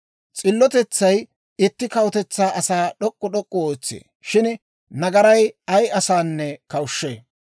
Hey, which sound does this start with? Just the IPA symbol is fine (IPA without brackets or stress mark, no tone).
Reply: t͡sʼ